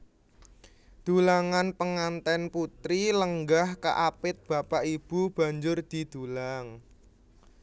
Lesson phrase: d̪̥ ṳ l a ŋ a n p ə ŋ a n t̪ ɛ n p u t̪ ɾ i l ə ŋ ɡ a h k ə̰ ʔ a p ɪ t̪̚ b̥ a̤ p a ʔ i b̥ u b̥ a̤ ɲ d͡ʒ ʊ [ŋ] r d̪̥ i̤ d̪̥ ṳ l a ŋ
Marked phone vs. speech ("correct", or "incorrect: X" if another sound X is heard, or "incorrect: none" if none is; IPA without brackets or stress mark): incorrect: none